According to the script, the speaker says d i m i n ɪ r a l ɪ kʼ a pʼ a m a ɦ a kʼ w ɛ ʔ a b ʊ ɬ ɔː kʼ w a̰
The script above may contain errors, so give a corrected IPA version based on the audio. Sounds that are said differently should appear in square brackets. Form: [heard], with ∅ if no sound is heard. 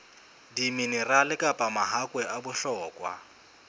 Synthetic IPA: d i m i n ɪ r a l ɪ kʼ a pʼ a m a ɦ a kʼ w ɛ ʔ a b ʊ ɬ ɔː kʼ w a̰